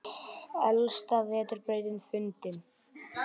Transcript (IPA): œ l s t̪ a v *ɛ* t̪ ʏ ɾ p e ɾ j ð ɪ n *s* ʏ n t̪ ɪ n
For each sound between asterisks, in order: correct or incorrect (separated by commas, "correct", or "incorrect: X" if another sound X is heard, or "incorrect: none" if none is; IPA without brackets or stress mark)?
incorrect: ɛː, incorrect: f